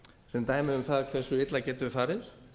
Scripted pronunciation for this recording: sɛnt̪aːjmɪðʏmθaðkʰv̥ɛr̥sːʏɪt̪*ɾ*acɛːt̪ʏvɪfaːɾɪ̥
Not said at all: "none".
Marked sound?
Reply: l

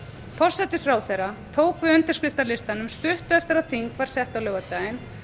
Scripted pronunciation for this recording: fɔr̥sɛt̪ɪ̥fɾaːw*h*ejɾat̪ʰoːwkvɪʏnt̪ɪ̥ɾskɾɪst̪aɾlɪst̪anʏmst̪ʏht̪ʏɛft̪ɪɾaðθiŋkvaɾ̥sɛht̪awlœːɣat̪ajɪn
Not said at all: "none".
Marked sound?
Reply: θ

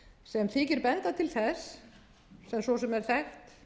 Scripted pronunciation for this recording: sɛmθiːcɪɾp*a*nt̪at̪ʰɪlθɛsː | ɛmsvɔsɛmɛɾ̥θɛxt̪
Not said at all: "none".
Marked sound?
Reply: ɛ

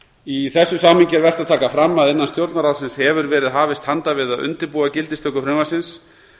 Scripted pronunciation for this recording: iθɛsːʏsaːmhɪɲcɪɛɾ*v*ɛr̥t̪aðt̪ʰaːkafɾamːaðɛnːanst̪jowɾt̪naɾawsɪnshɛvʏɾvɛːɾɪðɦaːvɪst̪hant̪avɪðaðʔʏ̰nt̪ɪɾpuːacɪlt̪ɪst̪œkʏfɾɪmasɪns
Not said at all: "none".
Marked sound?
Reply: v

